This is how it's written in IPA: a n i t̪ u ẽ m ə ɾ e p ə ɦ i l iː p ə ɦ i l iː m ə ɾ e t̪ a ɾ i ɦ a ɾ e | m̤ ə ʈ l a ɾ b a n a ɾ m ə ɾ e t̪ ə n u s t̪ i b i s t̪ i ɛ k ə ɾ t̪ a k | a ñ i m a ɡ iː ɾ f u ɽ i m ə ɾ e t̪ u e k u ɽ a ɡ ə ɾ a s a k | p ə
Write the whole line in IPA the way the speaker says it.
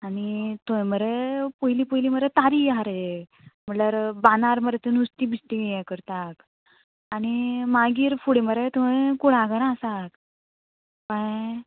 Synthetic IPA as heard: a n i t̪ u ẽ m ə ɾ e p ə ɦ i l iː p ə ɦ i l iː m ə ɾ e t̪ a ɾ i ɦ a ɾ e | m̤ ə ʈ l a ɾ b a n a ɾ m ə ɾ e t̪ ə n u s t̪ i b i s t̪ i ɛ k ə ɾ t̪ a k | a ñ i m a ɡ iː ɾ f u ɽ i m ə ɾ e t̪ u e k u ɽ a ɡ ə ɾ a s a k | p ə